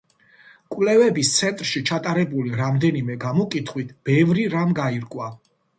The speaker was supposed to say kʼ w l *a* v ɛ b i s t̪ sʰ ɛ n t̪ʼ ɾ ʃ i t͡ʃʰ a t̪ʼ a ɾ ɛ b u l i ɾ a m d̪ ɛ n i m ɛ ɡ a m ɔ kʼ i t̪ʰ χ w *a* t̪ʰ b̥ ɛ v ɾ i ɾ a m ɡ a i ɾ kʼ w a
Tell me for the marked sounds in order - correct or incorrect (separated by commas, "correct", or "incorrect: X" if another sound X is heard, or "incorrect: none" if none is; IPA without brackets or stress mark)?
incorrect: ɛ, incorrect: i